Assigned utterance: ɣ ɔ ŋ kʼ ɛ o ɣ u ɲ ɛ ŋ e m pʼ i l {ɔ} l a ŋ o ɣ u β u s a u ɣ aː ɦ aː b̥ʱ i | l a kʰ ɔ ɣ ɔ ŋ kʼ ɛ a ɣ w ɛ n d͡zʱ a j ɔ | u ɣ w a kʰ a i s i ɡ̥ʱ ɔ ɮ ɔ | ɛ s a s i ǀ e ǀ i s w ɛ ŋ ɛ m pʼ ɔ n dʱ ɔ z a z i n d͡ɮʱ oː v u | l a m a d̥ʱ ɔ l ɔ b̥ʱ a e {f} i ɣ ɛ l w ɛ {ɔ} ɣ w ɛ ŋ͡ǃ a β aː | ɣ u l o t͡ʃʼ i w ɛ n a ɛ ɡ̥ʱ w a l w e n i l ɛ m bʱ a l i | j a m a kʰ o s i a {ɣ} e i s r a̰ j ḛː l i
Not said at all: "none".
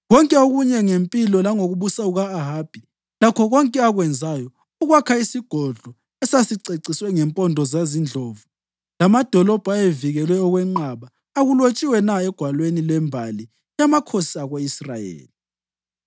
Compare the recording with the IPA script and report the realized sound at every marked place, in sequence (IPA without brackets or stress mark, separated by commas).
ɔ, v, ɔ, ɣ